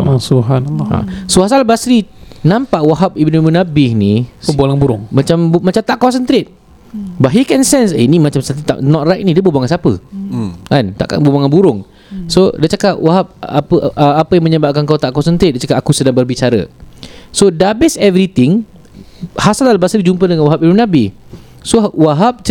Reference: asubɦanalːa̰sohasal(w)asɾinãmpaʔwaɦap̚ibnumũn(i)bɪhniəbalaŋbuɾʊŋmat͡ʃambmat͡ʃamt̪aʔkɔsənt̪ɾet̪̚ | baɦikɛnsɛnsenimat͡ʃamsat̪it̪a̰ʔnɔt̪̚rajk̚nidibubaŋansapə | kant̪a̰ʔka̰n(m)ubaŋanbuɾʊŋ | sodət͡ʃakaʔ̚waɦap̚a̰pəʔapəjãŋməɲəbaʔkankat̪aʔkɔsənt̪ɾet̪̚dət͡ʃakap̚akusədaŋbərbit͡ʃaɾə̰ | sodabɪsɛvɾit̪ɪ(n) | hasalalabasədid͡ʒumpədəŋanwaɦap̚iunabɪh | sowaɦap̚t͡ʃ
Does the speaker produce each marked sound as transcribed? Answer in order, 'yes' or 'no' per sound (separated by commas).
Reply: no, no, no, no